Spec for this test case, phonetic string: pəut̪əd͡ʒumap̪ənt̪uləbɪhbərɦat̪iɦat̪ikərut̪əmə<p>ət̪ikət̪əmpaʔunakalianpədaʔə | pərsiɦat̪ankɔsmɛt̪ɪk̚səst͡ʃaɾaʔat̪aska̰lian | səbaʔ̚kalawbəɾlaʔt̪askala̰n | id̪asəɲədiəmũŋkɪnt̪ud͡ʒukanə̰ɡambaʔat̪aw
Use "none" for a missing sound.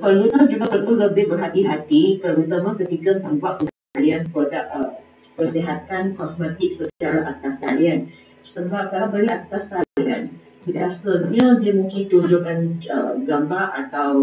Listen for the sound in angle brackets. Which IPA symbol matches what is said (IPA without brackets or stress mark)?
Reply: k